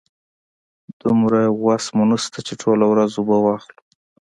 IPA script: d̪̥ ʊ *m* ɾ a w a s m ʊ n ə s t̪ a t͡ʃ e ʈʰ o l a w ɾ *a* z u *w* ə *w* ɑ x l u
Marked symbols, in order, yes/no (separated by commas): yes, yes, no, yes